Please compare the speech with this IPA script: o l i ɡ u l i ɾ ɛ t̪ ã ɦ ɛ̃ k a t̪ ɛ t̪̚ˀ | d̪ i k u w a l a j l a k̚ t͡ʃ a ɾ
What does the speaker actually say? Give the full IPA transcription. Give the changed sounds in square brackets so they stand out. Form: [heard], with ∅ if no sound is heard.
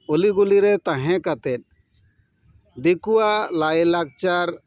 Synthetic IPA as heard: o l i ɡ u l i ɾ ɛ t̪ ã ɦ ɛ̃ k a t̪ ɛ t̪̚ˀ | d̪ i k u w a l a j l a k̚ t͡ʃ a ɾ

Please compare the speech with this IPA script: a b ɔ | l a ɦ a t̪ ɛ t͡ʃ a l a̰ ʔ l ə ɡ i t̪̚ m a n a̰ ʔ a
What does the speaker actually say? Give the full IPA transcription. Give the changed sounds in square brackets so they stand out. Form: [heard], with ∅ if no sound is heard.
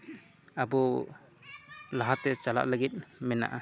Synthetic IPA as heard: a b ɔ | l a ɦ a t̪ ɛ t͡ʃ a l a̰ ʔ l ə ɡ i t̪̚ m [ɛ] n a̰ ʔ a

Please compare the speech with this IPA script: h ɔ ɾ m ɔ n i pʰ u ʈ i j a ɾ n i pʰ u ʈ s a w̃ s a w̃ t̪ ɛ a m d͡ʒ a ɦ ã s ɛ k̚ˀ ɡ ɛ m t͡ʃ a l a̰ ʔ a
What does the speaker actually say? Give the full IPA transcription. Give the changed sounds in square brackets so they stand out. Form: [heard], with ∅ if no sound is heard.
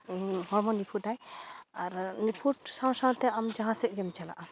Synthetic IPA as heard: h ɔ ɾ m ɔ n i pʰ u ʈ [a] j a ɾ n i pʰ u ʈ s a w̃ s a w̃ t̪ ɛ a m d͡ʒ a ɦ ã s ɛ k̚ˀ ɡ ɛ m t͡ʃ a l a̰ ʔ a

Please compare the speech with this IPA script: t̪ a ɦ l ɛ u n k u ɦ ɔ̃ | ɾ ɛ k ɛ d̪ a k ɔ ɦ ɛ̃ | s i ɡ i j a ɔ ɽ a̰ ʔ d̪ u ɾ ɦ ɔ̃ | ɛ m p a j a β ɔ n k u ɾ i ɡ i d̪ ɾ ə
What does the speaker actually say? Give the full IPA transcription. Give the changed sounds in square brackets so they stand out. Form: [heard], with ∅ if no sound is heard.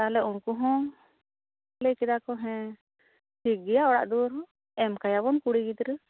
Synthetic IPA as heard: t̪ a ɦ l ɛ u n k u ɦ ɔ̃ | [l] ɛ k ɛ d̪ a k ɔ ɦ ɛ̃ | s i ɡ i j a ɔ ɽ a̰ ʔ d̪ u ɾ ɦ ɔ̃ | ɛ m [k] a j a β ɔ n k u [ɽ] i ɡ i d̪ ɾ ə

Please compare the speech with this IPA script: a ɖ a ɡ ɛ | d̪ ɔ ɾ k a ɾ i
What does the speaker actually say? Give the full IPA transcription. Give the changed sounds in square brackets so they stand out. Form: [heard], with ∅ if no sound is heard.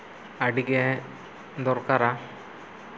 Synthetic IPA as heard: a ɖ [i] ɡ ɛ | d̪ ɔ ɾ k a ɾ [a]

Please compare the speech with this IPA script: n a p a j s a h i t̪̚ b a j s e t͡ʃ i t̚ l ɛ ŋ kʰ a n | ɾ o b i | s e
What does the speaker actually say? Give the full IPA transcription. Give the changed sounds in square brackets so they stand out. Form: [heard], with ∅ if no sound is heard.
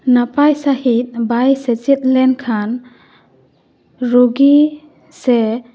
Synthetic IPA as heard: n a p a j s a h i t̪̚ b a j s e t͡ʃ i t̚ l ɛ [n] kʰ a n | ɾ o [ɡ] i | s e

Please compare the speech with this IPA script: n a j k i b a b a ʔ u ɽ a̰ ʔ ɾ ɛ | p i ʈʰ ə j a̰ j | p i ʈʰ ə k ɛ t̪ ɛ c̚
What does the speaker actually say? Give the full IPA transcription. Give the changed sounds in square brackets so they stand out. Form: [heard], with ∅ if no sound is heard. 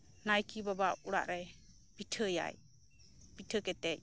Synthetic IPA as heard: n a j k i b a b a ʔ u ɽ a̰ ʔ ɾ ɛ | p i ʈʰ ə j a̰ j | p i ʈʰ ə k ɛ t̪ ɛ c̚

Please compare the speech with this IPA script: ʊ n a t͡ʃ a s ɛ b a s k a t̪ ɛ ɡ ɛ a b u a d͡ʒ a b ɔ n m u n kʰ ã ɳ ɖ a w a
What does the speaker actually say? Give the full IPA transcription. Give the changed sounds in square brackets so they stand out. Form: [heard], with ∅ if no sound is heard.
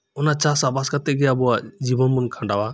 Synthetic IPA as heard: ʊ n a t͡ʃ a s [a] b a s k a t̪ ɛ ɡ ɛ a b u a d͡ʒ [i] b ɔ n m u n kʰ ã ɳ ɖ a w a

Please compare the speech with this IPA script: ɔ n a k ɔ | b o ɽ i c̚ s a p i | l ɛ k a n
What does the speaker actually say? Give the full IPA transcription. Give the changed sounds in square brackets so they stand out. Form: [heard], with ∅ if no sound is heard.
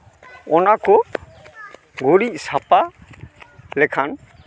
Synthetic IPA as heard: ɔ n a k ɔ | [ɡ] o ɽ i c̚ s a p [a] | l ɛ [kʰ] a n

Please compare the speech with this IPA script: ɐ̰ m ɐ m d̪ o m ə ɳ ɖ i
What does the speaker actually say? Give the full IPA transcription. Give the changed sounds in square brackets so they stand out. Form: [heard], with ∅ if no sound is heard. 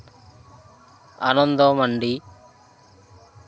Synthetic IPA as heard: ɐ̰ [n] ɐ [n] d̪ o m [ɐ] ɳ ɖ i

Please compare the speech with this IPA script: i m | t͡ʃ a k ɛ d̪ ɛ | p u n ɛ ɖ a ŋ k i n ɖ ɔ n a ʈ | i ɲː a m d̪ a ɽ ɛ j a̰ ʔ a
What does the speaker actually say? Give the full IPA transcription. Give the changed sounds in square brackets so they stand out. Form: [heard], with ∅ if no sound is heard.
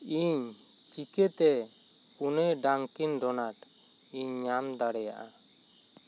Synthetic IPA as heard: i [ɲ] | t͡ʃ [i] k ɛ [t̪] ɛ | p u n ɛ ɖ a ŋ k i n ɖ ɔ n a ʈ | i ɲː a m d̪ a ɽ ɛ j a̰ ʔ a

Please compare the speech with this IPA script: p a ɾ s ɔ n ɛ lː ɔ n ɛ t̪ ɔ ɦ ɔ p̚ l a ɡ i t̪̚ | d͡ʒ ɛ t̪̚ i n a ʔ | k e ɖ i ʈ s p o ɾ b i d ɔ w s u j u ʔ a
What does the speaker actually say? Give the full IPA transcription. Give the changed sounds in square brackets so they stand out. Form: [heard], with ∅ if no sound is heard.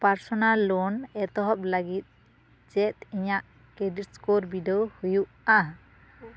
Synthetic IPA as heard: p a ɾ s ɔ n [a] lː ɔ n ɛ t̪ ɔ ɦ ɔ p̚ l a ɡ i t̪̚ | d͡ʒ ɛ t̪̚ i [ɲ] a ʔ | k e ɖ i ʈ s [k] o ɾ b i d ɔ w [h] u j u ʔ a

